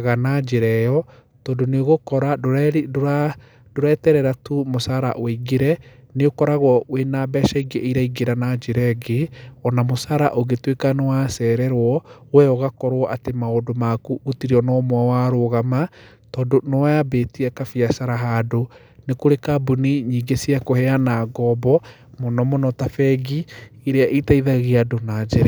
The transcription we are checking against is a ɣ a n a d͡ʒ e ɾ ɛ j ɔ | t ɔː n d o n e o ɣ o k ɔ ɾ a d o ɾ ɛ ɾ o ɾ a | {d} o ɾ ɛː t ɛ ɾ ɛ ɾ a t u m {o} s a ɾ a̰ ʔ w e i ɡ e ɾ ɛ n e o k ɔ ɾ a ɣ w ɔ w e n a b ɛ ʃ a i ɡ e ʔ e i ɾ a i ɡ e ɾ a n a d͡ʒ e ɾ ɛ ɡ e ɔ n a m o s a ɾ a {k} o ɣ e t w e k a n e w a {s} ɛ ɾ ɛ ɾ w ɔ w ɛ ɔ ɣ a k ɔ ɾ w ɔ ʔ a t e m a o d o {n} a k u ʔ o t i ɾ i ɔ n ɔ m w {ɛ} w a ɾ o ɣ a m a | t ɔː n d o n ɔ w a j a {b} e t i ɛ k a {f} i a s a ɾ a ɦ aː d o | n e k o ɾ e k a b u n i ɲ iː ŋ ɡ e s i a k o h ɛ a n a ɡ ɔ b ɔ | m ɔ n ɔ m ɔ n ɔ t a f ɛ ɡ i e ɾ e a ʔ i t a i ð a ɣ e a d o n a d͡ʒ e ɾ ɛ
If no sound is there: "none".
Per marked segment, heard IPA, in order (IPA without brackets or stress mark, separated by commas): d, o, ʔ, s, m, a, b, f